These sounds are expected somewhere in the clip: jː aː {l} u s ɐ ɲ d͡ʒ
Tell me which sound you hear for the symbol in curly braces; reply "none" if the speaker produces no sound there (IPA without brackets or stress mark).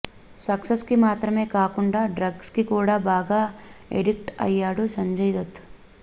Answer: ɽ